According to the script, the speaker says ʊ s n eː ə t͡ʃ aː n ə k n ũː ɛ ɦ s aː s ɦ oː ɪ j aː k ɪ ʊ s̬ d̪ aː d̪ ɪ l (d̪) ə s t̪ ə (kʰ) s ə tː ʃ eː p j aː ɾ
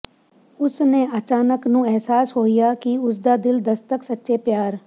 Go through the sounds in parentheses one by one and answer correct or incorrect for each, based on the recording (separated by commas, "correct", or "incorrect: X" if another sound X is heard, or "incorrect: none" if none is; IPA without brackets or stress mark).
correct, incorrect: k